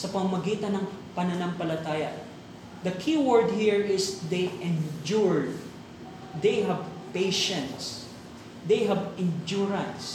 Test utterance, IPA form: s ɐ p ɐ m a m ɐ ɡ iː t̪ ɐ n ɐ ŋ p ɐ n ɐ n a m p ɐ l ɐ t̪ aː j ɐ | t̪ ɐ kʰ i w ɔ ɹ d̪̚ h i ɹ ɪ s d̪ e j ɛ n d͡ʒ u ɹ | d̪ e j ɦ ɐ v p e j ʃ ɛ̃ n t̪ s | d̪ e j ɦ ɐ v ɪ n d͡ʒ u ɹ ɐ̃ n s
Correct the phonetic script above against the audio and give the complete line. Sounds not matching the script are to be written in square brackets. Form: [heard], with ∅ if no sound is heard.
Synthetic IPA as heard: s ɐ p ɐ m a m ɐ ɡ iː t̪ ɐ n ɐ ŋ p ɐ n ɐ n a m p ɐ l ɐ t̪ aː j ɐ | [d̪] ɐ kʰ i w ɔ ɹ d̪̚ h i ɹ ɪ s d̪ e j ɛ n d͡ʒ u ɹ | d̪ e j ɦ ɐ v p e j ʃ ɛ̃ n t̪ s | d̪ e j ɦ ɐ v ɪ n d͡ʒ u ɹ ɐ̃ n s